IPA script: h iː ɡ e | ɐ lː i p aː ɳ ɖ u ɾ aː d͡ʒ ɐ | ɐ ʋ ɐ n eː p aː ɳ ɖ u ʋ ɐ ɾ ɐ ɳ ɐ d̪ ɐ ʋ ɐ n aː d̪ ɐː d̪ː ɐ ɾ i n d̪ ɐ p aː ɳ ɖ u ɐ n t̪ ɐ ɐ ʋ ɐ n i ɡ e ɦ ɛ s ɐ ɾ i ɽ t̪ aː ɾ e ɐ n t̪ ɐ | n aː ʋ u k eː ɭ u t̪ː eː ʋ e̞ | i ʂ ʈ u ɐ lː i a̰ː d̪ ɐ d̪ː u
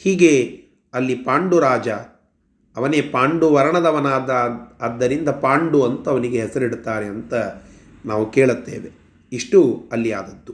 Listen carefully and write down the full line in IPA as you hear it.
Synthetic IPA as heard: h iː ɡ e | ɐ lː i p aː ɳ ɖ u ɾ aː d͡ʒ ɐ | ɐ ʋ ɐ n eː p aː ɳ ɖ u ʋ ɐ ɾ ɐ ɳ ɐ d̪ ɐ ʋ ɐ n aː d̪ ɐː d̪ː ɐ ɾ i n d̪ ɐ p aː ɳ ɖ u ɐ n t̪ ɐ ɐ ʋ ɐ n i ɡ e ɦ ɛ s ɐ ɾ i ɽ t̪ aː ɾ e ɐ n t̪ ɐ | n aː ʋ u k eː ɭ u t̪ː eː ʋ e̞ | i ʂ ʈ u ɐ lː i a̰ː d̪ ɐ d̪ː u